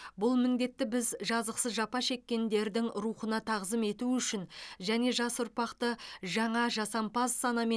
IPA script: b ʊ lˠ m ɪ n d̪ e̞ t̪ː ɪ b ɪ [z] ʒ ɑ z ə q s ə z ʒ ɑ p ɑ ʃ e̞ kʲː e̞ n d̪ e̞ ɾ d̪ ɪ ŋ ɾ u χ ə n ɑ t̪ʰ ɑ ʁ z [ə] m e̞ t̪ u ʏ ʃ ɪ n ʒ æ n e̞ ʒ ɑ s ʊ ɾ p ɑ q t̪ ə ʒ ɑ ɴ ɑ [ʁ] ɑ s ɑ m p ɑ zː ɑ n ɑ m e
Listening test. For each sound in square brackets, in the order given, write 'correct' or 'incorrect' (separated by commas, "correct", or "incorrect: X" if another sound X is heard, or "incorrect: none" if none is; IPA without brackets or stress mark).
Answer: correct, correct, incorrect: ʒ